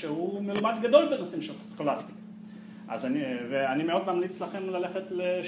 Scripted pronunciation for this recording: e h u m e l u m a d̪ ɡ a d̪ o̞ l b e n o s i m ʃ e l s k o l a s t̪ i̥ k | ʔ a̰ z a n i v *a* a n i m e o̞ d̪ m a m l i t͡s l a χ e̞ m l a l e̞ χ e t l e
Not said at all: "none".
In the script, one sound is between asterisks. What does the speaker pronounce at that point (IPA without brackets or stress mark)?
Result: e